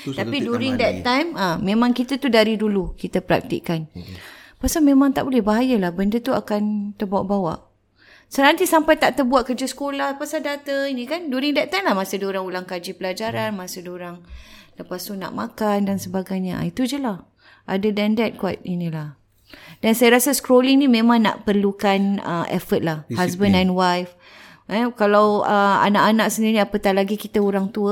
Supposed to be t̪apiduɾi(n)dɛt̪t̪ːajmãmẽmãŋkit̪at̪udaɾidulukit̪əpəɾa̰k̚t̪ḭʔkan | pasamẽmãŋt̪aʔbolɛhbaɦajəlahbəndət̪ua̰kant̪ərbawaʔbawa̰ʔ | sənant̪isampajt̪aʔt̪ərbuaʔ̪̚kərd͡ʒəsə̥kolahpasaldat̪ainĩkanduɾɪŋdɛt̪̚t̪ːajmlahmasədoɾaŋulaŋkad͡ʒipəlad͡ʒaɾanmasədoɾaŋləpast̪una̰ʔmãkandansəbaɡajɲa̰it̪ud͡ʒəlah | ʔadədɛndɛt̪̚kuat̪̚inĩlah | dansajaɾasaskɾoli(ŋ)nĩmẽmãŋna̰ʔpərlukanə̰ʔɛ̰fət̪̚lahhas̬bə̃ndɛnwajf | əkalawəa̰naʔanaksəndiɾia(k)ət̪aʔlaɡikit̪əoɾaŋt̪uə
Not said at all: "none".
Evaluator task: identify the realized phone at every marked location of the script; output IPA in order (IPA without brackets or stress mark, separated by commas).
ŋ, ŋ, p